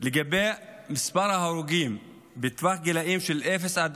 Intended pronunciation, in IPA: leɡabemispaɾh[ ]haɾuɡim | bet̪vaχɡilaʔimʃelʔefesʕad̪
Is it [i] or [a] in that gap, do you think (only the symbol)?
a